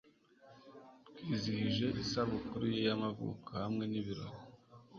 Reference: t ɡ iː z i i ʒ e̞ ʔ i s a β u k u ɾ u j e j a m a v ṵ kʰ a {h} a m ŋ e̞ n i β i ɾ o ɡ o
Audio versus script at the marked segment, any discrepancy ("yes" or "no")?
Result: no